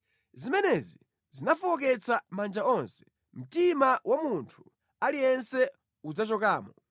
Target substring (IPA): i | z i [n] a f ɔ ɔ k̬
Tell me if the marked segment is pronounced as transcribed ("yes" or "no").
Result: yes